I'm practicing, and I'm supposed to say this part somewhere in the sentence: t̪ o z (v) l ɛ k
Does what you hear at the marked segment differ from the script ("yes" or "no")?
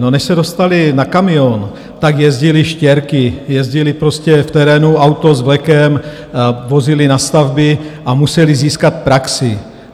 no